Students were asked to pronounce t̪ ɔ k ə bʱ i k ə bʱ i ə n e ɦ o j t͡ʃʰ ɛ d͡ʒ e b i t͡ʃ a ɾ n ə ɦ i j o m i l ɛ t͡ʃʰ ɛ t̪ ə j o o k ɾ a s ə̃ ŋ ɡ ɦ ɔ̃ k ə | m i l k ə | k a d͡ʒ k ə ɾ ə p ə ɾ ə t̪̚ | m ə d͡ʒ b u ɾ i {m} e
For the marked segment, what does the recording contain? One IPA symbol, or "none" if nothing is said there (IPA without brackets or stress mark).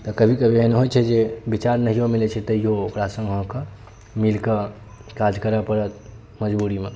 m